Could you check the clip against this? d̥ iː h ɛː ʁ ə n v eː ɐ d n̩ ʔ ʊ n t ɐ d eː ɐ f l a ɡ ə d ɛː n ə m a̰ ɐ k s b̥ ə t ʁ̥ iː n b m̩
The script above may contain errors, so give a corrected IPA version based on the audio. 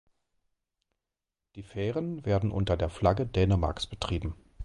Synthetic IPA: d̥ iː f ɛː ʁ ə n v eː ɐ d n̩ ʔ ʊ n t ɐ d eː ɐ f l a ɡ ə d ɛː n ə m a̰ ɐ k s b̥ ə t ʁ̥ iː b m̩